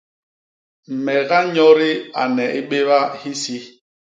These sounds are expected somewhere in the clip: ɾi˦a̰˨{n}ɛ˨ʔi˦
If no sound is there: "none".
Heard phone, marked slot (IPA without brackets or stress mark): n